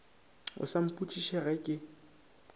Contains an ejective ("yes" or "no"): yes